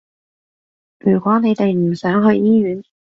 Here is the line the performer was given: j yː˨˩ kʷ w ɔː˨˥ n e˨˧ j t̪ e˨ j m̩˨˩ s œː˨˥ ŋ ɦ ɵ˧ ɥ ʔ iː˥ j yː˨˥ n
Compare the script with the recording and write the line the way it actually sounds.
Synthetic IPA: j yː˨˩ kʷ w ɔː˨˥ n e˨˧ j t̪ e˨ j m̩˨˩ s œː˨˥ ŋ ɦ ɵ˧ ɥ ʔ iː˥ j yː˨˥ n